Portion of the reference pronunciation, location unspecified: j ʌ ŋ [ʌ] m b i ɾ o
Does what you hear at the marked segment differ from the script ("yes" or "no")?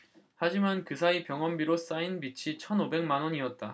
no